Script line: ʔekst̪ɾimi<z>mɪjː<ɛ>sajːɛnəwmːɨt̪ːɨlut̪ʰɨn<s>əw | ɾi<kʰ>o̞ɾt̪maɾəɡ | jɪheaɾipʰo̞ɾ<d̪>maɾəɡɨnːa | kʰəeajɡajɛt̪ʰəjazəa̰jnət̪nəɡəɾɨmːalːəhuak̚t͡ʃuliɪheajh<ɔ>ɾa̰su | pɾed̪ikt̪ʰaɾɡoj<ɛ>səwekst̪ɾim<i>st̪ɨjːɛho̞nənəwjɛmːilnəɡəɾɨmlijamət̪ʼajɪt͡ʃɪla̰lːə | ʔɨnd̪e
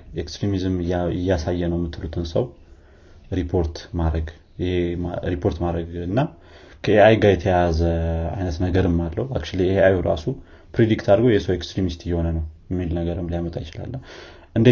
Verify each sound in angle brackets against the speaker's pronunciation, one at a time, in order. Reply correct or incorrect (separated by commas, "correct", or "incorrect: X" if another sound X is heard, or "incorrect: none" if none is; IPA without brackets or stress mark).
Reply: correct, incorrect: a, correct, incorrect: pʰ, incorrect: t̪, incorrect: u, correct, correct